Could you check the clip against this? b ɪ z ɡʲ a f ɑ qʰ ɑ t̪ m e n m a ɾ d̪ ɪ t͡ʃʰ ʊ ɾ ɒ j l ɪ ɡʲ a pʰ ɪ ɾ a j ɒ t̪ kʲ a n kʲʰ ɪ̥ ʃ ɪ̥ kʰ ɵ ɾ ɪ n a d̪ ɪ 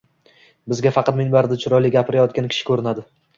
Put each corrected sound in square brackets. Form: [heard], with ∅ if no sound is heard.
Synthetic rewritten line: b ɪ z ɡʲ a f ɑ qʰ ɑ t̪ m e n [b] a ɾ d̪ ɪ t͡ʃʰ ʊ ɾ ɒ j l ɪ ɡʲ a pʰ ɪ ɾ a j ɒ t̪ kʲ a n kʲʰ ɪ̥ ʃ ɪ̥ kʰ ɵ ɾ ɪ n a d̪ ɪ